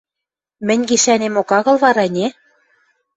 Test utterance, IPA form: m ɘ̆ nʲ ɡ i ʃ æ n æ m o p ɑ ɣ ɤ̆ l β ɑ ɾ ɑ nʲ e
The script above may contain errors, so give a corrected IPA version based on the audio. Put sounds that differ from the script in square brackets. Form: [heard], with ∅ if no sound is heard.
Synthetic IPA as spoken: m ɘ̆ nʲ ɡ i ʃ æ n [e] m o [k] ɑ ɣ ɤ̆ l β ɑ ɾ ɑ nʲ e